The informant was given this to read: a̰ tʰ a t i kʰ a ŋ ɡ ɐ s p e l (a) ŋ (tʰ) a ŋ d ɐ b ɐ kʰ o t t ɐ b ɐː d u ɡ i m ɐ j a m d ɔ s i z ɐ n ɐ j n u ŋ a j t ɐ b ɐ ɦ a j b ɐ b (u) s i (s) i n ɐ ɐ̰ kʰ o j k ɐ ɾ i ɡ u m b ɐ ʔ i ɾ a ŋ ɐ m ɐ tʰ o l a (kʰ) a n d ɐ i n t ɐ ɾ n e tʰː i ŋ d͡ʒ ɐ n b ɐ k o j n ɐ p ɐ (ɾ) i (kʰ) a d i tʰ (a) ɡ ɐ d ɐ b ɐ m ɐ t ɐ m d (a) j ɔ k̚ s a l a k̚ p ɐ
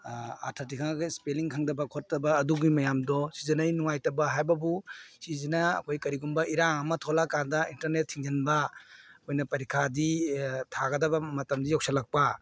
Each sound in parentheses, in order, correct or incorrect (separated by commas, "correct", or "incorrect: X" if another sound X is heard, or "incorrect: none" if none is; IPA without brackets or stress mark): incorrect: i, incorrect: kʰ, correct, incorrect: z, incorrect: k, correct, correct, correct, incorrect: i